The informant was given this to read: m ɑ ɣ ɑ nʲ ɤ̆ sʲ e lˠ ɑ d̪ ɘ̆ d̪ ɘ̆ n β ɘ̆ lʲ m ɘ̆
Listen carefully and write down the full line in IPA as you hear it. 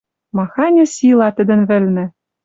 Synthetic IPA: m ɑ x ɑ nʲ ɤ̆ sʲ i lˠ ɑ t̪ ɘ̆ d̪ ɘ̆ n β ɘ̆ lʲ n ɘ̆